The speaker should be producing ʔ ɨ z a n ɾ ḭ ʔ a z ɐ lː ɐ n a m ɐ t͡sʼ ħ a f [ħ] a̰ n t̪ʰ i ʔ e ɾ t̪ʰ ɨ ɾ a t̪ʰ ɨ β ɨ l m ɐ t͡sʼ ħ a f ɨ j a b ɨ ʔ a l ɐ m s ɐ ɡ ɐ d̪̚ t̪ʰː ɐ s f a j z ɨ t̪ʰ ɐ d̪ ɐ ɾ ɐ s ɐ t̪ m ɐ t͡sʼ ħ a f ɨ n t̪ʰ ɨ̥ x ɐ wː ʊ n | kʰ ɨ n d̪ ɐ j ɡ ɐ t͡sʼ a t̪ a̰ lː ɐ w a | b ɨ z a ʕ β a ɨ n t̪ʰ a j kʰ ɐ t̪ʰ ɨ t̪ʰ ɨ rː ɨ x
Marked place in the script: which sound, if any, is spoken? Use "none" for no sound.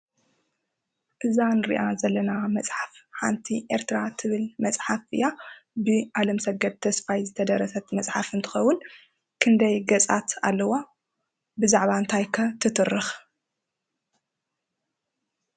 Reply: ħ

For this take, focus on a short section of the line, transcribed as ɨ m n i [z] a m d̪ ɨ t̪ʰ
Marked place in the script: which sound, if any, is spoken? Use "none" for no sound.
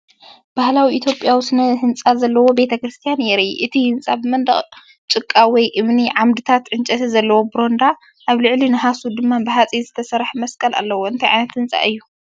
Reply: ʕ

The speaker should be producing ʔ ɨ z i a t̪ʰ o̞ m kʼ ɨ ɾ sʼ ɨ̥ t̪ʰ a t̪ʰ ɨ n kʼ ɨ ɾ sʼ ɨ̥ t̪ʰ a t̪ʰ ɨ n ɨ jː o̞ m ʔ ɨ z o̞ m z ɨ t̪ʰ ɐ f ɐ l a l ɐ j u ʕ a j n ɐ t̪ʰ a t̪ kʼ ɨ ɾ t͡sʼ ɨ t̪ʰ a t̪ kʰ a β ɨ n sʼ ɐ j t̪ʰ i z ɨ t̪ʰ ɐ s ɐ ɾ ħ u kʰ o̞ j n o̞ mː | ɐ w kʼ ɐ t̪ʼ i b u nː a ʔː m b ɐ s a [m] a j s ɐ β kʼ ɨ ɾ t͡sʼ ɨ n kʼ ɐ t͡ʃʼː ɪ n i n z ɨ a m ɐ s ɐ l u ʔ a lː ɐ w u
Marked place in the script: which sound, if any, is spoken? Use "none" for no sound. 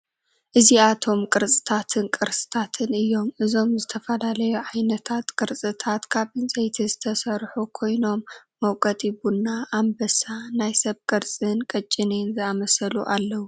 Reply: n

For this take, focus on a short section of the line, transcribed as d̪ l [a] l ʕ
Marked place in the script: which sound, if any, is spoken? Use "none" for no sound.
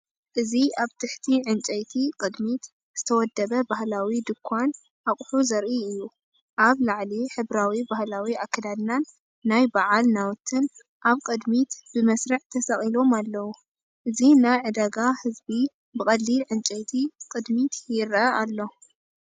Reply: i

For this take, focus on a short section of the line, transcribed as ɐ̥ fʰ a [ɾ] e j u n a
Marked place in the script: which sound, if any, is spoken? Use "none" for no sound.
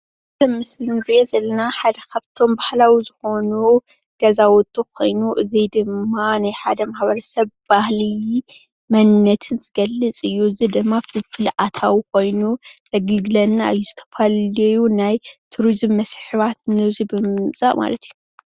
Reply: l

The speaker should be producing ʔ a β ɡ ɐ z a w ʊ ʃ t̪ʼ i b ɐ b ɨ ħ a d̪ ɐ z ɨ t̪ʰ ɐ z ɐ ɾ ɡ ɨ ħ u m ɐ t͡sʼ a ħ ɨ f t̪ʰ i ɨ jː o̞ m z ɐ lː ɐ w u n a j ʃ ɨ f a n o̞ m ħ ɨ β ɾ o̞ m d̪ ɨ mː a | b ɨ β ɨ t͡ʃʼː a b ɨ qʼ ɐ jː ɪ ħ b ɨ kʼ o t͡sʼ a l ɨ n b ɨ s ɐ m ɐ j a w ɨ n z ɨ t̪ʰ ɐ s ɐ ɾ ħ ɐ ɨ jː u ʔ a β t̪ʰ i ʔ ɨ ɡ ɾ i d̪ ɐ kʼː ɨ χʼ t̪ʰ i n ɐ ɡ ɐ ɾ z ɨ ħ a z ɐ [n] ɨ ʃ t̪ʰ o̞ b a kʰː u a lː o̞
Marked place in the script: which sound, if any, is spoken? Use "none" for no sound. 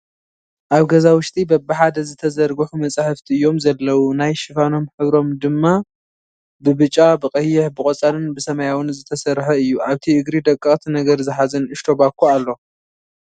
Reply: n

